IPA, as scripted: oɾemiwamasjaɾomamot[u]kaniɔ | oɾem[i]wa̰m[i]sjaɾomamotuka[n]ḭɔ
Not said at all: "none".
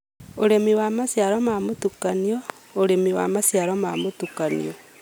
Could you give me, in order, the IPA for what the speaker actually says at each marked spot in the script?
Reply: u, i, a, n

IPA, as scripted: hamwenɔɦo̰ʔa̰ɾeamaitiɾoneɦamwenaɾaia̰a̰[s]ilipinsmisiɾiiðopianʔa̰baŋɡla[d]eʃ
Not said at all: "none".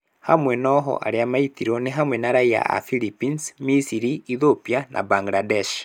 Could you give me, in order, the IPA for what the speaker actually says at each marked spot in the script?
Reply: f, d

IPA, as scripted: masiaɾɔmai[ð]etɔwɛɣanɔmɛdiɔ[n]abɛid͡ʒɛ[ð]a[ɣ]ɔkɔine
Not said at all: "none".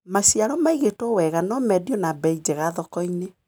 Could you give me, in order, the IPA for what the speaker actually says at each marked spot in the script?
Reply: ɣ, n, ɣ, ð

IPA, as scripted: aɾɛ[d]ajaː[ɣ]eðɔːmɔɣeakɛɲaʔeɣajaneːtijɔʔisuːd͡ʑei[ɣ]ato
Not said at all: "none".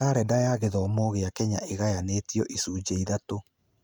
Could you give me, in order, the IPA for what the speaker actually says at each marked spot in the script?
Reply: d, ɣ, ð

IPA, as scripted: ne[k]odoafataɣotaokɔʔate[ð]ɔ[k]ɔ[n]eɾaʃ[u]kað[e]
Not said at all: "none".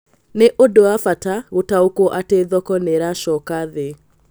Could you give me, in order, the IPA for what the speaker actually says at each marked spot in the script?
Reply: ʔ, ð, k, n, ɔ, e

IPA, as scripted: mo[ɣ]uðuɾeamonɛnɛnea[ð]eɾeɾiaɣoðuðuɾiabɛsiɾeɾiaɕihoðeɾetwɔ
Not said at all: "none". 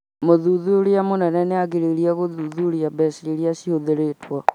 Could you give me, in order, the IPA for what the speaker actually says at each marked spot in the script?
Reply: ð, ɣ

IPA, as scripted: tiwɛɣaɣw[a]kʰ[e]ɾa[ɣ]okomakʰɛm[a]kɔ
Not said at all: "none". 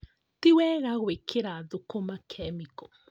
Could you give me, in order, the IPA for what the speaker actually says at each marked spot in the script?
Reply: e, e, ð, i

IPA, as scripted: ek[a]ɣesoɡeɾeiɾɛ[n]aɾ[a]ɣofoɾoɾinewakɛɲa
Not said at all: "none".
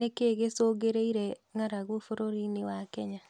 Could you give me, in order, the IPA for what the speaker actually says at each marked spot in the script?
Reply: e, ŋ, a

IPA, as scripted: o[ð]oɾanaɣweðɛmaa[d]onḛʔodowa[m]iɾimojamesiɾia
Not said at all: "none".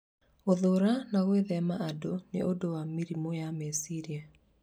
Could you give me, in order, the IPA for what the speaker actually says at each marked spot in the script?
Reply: ð, d, m

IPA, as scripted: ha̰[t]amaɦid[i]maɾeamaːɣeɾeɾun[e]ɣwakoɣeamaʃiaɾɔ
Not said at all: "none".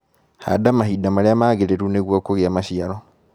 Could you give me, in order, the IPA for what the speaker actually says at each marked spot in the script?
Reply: d, a, e

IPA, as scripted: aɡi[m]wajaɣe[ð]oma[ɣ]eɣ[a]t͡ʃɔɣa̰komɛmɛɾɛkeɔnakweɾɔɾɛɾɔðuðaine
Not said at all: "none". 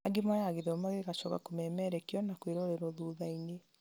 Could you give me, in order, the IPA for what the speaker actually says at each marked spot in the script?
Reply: m, ð, ɣ, a

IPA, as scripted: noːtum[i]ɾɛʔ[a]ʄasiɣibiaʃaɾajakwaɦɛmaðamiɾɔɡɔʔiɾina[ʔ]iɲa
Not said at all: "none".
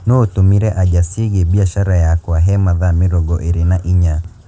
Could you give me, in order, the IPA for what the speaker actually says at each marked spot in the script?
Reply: i, a, ʔ

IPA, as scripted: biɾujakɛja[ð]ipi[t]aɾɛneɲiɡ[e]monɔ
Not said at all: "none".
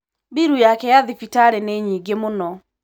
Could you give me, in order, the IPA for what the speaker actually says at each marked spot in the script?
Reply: ð, t, e

